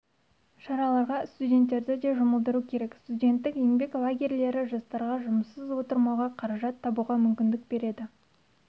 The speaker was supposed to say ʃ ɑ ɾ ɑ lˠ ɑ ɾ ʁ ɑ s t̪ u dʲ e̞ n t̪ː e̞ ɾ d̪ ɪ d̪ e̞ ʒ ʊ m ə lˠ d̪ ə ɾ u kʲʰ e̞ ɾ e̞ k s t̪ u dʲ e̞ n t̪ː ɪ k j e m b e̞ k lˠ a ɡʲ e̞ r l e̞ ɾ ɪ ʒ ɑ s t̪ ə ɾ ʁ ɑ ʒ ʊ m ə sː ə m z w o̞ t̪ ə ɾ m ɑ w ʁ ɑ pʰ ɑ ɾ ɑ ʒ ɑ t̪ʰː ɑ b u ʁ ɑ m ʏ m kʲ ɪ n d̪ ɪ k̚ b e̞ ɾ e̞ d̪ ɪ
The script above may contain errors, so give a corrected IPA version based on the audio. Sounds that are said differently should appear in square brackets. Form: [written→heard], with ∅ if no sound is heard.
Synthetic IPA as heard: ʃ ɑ ɾ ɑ lˠ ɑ ɾ ʁ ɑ s t̪ u dʲ e̞ n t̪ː e̞ ɾ d̪ ɪ d̪ e̞ ʒ ʊ m ə lˠ d̪ ə ɾ u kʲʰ e̞ ɾ e̞ k s t̪ u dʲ e̞ n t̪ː ɪ k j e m b e̞ k lˠ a ɡʲ e̞ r l e̞ ɾ ɪ ʒ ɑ s t̪ [ə→ɑ] ɾ ʁ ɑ ʒ ʊ m ə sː ə [m→∅] z w o̞ t̪ ə ɾ m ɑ w ʁ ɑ [pʰ→qʰ] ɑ ɾ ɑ ʒ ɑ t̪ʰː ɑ b u ʁ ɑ m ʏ m kʲ ɪ n d̪ ɪ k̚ b e̞ ɾ e̞ d̪ ɪ